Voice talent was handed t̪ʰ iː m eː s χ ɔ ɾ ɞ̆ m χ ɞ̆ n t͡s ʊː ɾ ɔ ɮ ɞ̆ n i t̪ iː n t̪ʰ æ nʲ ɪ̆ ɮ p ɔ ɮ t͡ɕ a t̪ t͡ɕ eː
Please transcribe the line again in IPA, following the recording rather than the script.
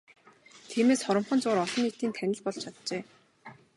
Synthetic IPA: t̪ʰ iː m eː s χ ɔ ɾ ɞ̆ m χ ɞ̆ n t͡s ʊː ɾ ɔ ɮ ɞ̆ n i t̪ iː n t̪ʰ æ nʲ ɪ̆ ɮ p ɔ ɮ t͡ɕʰ a t̪ t͡ɕ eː